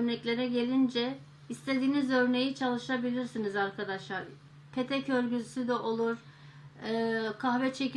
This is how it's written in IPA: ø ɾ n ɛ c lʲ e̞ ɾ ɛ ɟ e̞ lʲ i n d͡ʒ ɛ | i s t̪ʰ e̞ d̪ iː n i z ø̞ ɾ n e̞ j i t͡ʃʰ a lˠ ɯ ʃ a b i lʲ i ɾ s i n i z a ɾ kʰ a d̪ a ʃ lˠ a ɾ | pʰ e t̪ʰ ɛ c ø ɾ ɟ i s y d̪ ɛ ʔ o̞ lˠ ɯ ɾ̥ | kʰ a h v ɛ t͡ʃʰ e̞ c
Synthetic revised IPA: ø ɾ n ɛ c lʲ e̞ ɾ ɛ ɟ e̞ lʲ i n d͡ʒ ɛ | i s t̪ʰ e̞ d̪ iː n i z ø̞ ɾ n e̞ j i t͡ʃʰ a lˠ ɯ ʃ a b i lʲ i ɾ s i n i z a ɾ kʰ a d̪ a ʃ lˠ a ɾ | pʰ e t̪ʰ ɛ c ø ɾ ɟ y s y d̪ ɛ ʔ o̞ lˠ u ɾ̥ | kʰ a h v ɛ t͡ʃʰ e̞ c

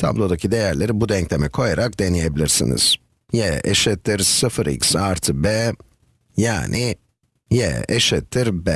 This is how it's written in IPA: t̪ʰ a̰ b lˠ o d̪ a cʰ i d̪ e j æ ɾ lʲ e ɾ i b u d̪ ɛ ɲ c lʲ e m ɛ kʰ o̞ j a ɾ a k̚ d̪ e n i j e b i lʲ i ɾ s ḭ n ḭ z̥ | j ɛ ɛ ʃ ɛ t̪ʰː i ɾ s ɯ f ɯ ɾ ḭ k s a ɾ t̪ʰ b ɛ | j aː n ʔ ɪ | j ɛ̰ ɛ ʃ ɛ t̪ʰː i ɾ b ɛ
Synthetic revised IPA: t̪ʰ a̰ b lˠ o d̪ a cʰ i d̪ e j æ ɾ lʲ e ɾ i b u d̪ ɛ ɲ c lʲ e m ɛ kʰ o̞ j a ɾ a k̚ d̪ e n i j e b i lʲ i ɾ s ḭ n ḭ z̥ | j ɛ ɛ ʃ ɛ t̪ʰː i ɾ s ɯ f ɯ ɾ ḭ k s a ɾ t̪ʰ b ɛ | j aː n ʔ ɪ | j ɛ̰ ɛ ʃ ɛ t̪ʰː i ɾ b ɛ

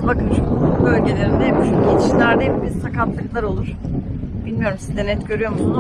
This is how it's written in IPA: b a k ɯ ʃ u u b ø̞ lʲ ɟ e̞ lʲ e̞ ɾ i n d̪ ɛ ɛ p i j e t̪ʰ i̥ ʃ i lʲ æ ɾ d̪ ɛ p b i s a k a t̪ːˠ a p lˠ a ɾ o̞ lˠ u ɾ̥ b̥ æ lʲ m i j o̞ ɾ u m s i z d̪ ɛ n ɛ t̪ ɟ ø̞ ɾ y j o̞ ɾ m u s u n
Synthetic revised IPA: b a k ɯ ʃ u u b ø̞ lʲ ɟ e̞ lʲ e̞ ɾ i n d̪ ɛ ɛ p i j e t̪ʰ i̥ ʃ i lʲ æ ɾ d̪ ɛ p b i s a k a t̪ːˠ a k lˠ a ɾ o̞ lˠ u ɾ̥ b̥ i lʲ m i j o̞ ɾ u m s i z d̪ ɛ n ɛ t̪ ɟ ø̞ ɾ y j o̞ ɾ m u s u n

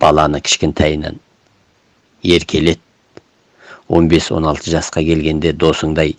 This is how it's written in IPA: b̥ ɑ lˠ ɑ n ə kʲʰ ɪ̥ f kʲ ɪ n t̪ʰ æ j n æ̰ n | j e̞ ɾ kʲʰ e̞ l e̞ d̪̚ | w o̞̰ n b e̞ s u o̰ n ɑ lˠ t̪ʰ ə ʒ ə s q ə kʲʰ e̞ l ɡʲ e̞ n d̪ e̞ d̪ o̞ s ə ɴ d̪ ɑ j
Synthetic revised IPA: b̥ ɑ lˠ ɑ n ə kʲʰ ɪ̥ ʃ kʲ ɪ n t̪ʰ æ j n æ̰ n | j e̞ ɾ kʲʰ e̞ l e̞ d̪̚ | w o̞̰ n b e̞ s w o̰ n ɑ lˠ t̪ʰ ə ʒ ɑ s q ɑ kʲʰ e̞ l ɡʲ e̞ n d̪ e̞ d̪ o̞ s ə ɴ d̪ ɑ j

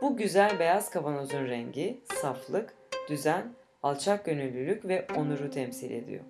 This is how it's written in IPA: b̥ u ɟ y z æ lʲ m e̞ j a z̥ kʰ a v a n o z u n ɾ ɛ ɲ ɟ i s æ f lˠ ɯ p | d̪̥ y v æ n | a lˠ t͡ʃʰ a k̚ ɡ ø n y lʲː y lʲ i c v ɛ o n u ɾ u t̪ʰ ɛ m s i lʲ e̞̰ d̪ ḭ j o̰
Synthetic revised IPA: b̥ u ɟ y z æ lʲ b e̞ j a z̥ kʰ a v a n o z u n ɾ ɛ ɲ ɟ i s a f lˠ ɯ k | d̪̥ y z æ n | a lˠ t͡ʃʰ a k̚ ɟ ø n y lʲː y lʲ y c v ɛ o n u ɾ u t̪ʰ ɛ m s i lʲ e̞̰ d̪ ḭ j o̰

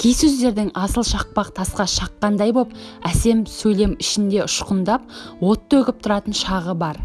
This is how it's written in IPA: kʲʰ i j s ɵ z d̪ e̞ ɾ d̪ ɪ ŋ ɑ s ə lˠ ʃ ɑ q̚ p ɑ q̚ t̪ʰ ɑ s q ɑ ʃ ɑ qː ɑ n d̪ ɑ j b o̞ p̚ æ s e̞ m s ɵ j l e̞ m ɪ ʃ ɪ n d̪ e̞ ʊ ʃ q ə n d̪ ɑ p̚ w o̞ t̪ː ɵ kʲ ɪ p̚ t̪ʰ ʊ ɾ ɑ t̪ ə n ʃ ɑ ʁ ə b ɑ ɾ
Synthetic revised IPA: kʲʰ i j s ɵ z d̪ e̞ ɾ d̪ ɪ ŋ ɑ s ə lˠ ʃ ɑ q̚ p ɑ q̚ t̪ʰ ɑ s q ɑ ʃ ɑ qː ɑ n d̪ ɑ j b o̞ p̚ æ s e̞ m s ɵ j l e̞ m ɪ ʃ ɪ n d̪ e̞ ʊ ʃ q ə n d̪ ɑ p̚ w o̞ t̪ː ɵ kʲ ɪ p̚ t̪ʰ ʊ ɾ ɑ t̪ ə n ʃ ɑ ʁ ə b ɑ ɾ

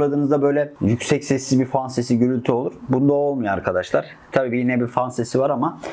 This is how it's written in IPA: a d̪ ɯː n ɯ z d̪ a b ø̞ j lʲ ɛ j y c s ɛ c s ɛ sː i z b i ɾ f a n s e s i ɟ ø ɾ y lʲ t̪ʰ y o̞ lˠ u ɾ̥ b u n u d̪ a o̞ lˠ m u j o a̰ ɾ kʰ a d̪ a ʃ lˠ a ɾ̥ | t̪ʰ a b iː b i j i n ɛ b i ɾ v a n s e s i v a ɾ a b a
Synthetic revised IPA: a d̪ ɯː n ɯ z d̪ a b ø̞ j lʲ ɛ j y c s ɛ c s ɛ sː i z b i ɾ f a n s e s i ɟ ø ɾ y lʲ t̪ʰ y o̞ lˠ u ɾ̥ b u n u d̪ a o̞ lˠ m u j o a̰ ɾ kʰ a d̪ a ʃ lˠ a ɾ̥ | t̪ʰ a b iː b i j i n ɛ b i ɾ f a n s e s i v a ɾ a m a

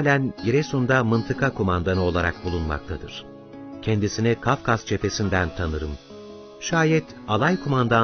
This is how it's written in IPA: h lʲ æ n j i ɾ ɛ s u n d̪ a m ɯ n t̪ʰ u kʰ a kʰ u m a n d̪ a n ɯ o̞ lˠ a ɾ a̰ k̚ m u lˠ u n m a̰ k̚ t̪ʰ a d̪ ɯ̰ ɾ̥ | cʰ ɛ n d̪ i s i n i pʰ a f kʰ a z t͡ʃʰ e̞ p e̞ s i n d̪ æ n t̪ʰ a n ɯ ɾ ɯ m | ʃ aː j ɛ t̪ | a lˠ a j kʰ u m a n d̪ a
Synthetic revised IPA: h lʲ æ n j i ɾ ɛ s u n d̪ a m ɯ n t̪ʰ ɯ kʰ a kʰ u m a n d̪ a n ɯ o̞ lˠ a ɾ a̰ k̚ b u lˠ u n m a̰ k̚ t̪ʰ a d̪ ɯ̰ ɾ̥ | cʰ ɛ n d̪ i s i n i kʰ a f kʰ a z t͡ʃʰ e̞ p e̞ s i n d̪ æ n t̪ʰ a n ɯ ɾ ɯ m | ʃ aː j ɛ t̪ | a lˠ a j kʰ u m a n d̪ a

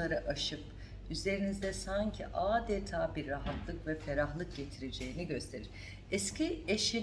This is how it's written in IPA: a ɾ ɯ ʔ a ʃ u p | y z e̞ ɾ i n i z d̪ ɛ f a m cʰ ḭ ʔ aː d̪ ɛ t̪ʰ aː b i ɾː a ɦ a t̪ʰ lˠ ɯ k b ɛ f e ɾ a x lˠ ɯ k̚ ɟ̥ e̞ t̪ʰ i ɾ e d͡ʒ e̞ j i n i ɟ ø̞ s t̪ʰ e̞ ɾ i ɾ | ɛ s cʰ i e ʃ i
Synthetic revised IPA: a ɾ ɯ ʔ a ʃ ɯ p | y z e̞ ɾ i n i z d̪ ɛ s a ɲ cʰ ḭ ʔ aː d̪ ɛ t̪ʰ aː b i ɾː a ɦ a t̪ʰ lˠ ɯ k v ɛ f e ɾ a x lˠ ɯ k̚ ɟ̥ e̞ t̪ʰ i ɾ e d͡ʒ e̞ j i n i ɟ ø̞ s t̪ʰ e̞ ɾ i ɾ | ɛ s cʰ i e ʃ i

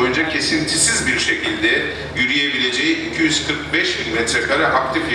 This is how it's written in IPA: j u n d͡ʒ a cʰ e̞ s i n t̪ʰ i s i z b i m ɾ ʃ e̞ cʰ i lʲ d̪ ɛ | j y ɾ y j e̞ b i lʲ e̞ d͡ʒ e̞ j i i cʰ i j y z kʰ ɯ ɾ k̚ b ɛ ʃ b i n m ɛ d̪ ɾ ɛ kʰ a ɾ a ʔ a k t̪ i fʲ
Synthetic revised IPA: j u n d͡ʒ a cʰ e̞ s i n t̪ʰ i s i z b i ɾ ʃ e̞ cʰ i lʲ d̪ ɛ | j y ɾ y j e̞ b i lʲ e̞ d͡ʒ e̞ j i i cʰ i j y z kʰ ɯ ɾ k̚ b ɛ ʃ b i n m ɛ t̪ ɾ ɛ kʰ a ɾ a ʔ a k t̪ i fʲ

